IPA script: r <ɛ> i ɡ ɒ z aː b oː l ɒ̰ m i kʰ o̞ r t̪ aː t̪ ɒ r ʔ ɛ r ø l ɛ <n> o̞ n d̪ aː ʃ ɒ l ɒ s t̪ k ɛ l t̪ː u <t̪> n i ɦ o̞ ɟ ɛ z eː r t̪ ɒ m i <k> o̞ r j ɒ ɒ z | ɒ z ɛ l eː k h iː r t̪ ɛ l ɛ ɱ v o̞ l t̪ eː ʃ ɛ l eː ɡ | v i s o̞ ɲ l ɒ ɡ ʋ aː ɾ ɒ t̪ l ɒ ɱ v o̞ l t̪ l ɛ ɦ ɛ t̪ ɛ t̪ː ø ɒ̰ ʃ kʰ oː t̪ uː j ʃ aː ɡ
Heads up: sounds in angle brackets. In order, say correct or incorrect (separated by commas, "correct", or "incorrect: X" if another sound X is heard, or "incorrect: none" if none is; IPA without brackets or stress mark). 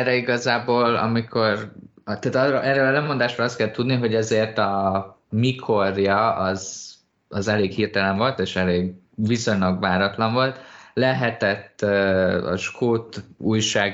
correct, incorrect: m, incorrect: d̪, incorrect: kʰ